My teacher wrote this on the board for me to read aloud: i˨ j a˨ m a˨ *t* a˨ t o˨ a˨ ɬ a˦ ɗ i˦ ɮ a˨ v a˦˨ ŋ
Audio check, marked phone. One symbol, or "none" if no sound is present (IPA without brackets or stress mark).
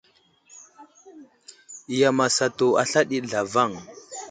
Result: s